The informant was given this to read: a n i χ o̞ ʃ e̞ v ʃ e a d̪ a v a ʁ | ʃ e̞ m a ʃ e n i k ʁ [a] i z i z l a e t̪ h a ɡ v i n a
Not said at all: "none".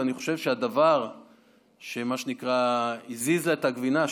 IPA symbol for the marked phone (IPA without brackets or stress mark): a